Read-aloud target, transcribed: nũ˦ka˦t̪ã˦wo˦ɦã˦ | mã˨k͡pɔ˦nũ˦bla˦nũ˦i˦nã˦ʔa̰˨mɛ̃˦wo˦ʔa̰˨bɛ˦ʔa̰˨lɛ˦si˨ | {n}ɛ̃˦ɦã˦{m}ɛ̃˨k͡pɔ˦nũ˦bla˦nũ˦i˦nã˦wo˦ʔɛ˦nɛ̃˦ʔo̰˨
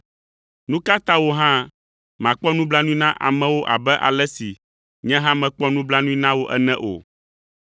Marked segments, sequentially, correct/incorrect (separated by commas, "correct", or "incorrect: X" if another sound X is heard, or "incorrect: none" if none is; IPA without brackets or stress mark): incorrect: ɲ, correct